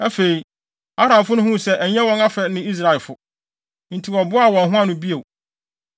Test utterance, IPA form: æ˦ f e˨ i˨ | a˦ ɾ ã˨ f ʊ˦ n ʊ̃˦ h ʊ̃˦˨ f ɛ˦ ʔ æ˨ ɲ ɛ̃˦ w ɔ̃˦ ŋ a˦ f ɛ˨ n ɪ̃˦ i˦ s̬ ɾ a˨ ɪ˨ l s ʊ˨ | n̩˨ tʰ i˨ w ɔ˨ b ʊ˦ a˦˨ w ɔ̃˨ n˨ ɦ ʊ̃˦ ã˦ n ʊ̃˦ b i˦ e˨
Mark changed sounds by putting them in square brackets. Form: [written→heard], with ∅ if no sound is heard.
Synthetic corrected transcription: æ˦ f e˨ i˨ | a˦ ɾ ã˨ f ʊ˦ n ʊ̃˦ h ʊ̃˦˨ [f→s] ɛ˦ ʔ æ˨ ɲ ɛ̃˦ w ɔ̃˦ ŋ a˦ f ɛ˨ n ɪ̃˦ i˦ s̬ ɾ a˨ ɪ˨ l [s→f] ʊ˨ | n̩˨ tʰ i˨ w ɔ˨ b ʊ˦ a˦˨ w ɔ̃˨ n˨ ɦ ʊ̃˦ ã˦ n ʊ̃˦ b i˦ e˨